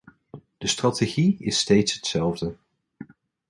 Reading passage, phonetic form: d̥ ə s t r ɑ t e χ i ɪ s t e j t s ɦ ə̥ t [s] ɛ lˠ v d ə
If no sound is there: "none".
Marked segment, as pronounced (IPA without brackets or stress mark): s